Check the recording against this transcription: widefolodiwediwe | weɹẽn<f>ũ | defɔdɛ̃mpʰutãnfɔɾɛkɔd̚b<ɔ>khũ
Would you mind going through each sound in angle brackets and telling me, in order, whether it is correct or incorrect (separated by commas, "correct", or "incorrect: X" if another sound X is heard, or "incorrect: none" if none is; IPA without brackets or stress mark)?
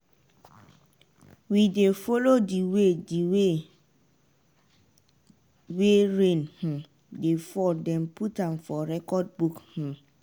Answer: incorrect: h, incorrect: u